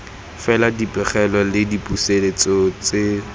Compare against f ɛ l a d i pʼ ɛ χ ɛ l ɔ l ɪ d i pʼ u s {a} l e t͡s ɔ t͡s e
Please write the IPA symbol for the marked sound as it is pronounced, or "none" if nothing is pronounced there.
e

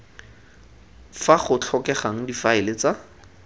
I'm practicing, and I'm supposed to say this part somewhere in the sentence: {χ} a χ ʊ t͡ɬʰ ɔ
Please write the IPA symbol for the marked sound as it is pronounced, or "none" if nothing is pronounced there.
f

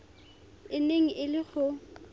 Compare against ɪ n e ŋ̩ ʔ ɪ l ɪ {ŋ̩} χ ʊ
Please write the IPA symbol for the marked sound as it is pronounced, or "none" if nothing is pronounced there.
none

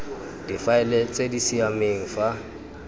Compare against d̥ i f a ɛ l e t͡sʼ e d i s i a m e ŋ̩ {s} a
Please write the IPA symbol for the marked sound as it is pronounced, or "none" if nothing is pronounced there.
f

